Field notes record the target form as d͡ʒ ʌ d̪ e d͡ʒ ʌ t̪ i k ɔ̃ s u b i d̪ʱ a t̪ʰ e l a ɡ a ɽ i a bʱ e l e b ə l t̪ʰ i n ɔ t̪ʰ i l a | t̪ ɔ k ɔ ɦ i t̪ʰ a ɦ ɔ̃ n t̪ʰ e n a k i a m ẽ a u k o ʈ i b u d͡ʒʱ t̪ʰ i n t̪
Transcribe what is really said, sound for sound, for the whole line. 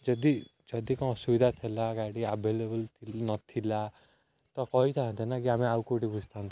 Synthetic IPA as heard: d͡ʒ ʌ d̪ i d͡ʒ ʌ d̪ i k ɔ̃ s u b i d̪ʱ a t̪ʰ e l a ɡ a ɽ i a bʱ e l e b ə l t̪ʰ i n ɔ t̪ʰ i l a | t̪ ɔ k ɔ ɦ i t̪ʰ a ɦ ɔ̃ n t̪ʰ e n a k i a m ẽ a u k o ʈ i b u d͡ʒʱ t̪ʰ a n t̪